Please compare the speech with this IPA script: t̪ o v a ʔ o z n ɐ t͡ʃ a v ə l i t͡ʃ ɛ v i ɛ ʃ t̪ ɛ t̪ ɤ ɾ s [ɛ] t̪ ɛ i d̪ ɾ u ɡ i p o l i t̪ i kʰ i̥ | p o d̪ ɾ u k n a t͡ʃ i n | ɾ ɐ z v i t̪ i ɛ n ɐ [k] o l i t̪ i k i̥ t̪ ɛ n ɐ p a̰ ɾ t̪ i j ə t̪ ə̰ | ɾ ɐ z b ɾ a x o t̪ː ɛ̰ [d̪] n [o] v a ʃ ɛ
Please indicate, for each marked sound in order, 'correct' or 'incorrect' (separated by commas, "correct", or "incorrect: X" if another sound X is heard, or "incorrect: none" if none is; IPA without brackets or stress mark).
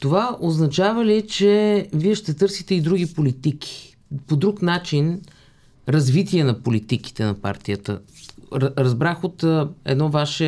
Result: incorrect: i, incorrect: p, correct, incorrect: ɔ